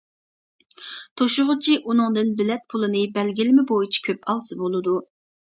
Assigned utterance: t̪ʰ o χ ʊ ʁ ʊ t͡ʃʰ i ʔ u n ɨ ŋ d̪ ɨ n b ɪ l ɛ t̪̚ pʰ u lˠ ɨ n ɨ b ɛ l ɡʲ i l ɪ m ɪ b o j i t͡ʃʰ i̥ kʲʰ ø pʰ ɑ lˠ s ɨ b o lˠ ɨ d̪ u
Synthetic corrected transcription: t̪ʰ o ʃ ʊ ʁ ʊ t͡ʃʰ i ʔ u n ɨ ŋ d̪ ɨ n b ɪ l ɛ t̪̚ pʰ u lˠ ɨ n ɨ b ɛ l ɡʲ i l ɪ m ɪ b o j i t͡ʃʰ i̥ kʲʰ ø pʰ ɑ lˠ s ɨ b o lˠ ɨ d̪ u